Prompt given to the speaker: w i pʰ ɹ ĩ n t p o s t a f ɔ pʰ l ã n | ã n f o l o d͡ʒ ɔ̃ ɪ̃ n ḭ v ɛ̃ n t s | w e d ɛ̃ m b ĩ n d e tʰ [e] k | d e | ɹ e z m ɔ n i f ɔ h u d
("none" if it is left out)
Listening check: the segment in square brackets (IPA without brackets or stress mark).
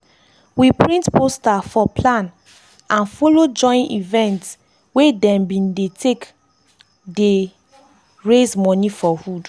e